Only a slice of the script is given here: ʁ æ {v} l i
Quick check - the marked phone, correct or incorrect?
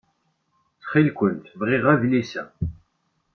correct